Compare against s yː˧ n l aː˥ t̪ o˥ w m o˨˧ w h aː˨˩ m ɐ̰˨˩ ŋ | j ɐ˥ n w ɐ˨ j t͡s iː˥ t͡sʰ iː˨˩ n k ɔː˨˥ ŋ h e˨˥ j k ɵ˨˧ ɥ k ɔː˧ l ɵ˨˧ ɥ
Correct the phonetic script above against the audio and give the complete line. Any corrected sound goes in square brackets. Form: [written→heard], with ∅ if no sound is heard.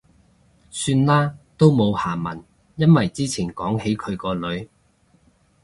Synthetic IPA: s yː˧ n l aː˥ t̪ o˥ w m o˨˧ w h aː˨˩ m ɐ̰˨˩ [ŋ→n] | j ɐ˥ n w ɐ˨ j t͡s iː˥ t͡sʰ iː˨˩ n k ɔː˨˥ ŋ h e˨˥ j [k→kʰ] ɵ˨˧ ɥ k ɔː˧ l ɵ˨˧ ɥ